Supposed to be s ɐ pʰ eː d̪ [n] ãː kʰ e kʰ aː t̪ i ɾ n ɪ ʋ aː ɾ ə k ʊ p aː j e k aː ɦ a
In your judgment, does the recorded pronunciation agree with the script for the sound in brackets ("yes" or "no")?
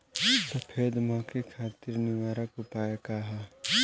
no